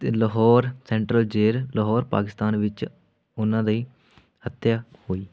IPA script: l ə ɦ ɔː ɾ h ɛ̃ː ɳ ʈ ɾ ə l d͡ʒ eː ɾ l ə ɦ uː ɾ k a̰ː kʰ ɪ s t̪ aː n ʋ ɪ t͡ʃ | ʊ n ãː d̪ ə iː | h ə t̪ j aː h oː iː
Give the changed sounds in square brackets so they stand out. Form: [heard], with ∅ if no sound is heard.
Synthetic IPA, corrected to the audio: l ə ɦ ɔː ɾ [s] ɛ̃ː ɳ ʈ ɾ ə l d͡ʒ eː ɾ l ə ɦ [ɔː] ɾ [p] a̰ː [k] ɪ s t̪ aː n ʋ ɪ t͡ʃ | ʊ n ãː d̪ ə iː | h ə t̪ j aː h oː iː

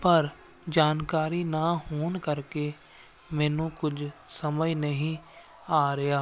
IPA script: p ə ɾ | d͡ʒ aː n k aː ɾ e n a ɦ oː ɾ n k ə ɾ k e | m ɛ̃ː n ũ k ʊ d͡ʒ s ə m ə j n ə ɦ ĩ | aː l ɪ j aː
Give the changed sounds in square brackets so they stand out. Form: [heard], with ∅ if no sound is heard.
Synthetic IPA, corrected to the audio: p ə ɾ | d͡ʒ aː n k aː ɾ [i] n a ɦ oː [∅] n k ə ɾ k e | m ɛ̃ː n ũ k ʊ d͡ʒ s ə m ə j n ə ɦ ĩ | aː [ɾ] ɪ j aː

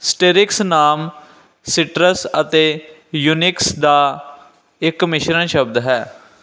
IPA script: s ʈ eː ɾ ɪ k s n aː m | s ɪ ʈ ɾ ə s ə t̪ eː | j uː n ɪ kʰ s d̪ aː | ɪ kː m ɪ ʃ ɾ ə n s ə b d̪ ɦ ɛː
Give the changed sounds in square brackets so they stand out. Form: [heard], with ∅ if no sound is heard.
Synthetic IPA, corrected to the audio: s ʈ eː ɾ ɪ k s n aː m | s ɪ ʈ ɾ ə s ə t̪ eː | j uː n ɪ [k] s d̪ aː | ɪ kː m ɪ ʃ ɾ ə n [ʃ] ə b d̪ ɦ ɛː

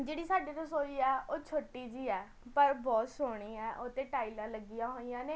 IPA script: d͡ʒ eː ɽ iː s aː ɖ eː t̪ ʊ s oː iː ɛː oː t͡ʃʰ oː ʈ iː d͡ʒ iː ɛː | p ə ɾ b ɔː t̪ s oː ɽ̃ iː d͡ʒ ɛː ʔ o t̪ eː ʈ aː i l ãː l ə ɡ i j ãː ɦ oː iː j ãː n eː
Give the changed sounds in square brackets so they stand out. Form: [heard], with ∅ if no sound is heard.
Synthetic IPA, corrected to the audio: d͡ʒ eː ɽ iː s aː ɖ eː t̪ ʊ s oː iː ɛː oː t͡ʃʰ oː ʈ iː d͡ʒ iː ɛː | p ə ɾ b ɔː t̪ s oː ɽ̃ iː [∅] ɛː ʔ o t̪ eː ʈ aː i l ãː l ə ɡ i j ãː ɦ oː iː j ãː n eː

